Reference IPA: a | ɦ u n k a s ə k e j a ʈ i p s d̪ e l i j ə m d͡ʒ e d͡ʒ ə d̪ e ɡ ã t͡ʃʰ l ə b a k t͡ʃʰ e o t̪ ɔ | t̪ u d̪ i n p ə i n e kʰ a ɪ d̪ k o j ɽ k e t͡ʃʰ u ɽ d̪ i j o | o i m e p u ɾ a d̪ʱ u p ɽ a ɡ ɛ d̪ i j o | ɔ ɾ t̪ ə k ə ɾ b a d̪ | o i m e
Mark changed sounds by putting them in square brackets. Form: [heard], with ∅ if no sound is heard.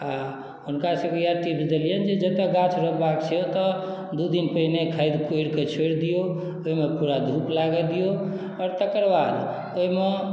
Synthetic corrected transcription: a | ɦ u n k a s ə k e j a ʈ i p s d̪ e l i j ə [n] d͡ʒ e d͡ʒ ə [t̪] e ɡ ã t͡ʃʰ [ɾ] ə b a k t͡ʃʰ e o t̪ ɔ | [d̪] u d̪ i n p ə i n e kʰ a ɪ d̪ k o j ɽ k e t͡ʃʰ [o] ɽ d̪ i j o | o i m e p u ɾ a d̪ʱ u p [l] a ɡ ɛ d̪ i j o | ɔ ɾ t̪ ə k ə ɾ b a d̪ | o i m e